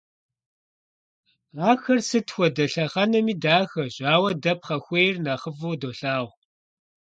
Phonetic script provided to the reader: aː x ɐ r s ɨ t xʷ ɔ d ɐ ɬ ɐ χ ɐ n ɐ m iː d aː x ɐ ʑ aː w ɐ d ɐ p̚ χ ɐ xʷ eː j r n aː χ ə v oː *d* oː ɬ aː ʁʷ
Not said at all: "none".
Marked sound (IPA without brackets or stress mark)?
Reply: d